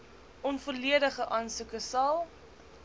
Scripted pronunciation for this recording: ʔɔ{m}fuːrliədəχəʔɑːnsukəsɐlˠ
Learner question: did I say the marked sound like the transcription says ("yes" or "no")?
no